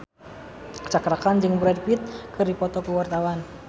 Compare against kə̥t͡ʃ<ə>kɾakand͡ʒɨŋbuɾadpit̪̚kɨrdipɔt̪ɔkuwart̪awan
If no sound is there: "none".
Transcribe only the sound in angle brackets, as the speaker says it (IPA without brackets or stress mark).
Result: a